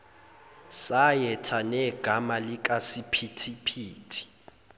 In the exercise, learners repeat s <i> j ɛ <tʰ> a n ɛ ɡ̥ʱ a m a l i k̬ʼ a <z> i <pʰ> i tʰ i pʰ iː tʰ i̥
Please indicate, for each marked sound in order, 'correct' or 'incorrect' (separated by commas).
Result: incorrect, correct, incorrect, correct